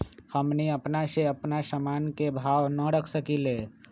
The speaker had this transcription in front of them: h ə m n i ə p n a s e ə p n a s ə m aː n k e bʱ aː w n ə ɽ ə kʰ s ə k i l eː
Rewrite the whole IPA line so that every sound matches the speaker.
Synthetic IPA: h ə m n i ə p n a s e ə p n a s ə m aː n k e bʱ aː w n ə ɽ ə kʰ s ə k i l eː